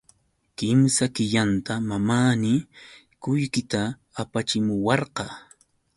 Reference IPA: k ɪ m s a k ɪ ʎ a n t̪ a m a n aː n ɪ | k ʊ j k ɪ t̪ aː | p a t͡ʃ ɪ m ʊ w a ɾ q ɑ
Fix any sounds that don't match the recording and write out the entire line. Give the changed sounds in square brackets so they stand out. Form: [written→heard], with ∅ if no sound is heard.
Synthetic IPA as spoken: k ɪ m s a k ɪ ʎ a n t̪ a m a [n→m] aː n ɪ | k ʊ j k ɪ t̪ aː | p a t͡ʃ ɪ m ʊ w [a→ɑ] ɾ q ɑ